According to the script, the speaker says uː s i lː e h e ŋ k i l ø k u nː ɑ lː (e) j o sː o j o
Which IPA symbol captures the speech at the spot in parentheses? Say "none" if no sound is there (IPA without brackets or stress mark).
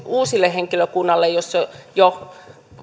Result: e